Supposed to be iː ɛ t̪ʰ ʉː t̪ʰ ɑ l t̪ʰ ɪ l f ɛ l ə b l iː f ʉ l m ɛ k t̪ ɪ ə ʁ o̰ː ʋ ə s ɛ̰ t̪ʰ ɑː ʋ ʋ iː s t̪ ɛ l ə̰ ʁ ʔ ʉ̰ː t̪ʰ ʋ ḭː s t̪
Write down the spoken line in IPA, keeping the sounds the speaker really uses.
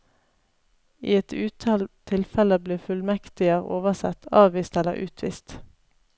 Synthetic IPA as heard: iː ɛ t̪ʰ ʉː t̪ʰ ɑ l t̪ʰ ɪ l f ɛ l ə b l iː f ʉ l m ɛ k t̪ ɪ ə ʁ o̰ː ʋ ə s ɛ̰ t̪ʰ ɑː ʋ ʋ iː s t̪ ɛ l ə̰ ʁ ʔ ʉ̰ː t̪ʰ ʋ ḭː s t̪